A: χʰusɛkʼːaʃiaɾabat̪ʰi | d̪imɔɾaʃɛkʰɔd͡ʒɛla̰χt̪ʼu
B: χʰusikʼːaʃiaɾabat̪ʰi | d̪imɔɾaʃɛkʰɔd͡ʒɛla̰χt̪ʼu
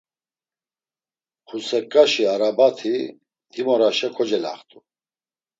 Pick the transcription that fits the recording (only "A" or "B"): A